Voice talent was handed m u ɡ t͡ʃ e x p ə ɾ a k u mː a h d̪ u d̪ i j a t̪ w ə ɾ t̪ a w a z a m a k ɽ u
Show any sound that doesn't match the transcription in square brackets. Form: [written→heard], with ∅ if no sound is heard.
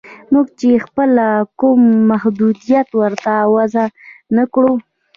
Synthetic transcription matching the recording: m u ɡ t͡ʃ e x p ə [ɾ→l] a k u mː a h d̪ u d̪ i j a t̪ w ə ɾ t̪ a w a z a [m→n] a k ɽ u